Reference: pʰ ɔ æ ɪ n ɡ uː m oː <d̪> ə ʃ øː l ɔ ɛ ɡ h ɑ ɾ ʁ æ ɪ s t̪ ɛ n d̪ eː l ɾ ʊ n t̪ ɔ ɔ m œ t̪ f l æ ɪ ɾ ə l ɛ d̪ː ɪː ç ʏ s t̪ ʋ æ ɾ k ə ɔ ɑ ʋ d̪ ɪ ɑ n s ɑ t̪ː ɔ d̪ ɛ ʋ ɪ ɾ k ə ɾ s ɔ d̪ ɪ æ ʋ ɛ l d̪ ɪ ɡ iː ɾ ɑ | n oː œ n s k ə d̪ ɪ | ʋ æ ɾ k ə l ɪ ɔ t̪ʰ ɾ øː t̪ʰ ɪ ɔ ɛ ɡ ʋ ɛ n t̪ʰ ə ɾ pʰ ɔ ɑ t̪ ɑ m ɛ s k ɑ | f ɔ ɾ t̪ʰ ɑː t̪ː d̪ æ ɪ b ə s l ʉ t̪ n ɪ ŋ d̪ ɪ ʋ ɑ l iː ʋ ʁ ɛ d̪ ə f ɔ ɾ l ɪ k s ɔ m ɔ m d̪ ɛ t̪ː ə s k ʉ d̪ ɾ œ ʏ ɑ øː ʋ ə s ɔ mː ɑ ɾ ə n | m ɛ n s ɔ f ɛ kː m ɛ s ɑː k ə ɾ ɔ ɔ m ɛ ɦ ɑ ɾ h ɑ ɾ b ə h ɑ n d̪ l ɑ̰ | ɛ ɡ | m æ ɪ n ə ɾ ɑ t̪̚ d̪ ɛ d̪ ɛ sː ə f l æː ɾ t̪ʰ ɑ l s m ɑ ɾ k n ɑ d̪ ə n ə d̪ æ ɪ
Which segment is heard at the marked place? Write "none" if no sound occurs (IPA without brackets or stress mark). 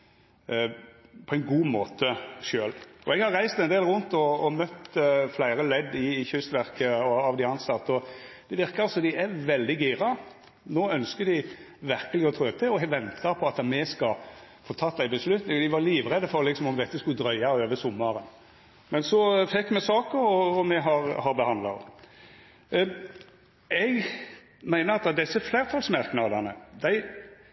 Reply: t̪